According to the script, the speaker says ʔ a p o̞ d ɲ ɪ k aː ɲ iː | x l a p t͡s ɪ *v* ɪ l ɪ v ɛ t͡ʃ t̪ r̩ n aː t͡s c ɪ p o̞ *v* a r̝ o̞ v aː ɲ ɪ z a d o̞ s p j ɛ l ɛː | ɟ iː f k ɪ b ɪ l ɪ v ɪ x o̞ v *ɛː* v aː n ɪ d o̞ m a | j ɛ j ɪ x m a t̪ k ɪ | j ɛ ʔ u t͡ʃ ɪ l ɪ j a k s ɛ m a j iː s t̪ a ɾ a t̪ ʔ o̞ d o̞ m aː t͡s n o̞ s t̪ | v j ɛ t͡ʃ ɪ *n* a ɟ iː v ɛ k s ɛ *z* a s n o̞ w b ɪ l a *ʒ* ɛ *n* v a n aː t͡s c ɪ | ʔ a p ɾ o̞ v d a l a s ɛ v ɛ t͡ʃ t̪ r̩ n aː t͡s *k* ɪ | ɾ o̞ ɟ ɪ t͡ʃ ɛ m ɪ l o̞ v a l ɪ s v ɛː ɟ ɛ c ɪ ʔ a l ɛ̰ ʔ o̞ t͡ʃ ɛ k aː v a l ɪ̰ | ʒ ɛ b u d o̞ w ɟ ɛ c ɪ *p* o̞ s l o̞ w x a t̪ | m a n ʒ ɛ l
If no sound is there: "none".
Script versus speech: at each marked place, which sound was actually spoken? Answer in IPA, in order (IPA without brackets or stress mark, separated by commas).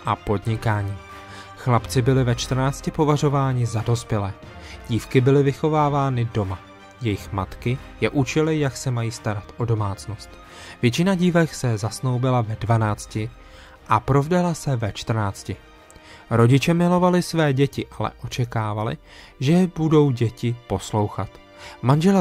b, v, aː, n, z, v, d, c, p